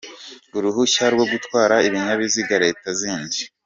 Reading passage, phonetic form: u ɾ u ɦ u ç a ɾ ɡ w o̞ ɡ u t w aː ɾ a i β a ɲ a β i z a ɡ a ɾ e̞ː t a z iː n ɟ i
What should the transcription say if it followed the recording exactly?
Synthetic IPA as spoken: u ɾ u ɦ u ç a ɾ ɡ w o̞ ɡ u t w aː ɾ a i β i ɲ a β i z i ɡ a ɾ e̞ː t a z iː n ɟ i